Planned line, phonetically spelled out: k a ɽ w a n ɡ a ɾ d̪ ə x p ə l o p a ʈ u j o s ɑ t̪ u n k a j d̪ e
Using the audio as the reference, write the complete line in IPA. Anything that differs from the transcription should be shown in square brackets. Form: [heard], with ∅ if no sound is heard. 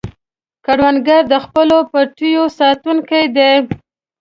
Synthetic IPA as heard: k a ɽ w a n ɡ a ɾ d̪ ə x p ə l o p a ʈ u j o s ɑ t̪ u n k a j d̪ e